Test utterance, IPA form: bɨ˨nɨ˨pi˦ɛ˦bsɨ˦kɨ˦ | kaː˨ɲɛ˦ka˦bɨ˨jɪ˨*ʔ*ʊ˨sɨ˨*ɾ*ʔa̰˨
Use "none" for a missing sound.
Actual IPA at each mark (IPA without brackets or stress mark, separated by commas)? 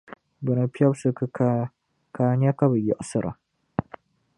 ʔ, ɾ